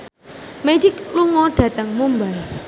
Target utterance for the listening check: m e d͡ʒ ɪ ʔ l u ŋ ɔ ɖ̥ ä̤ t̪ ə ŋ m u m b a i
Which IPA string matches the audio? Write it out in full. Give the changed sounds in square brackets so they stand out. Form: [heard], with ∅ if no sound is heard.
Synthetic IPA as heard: m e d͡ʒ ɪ [k] l u ŋ ɔ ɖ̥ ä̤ t̪ ə ŋ m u m b a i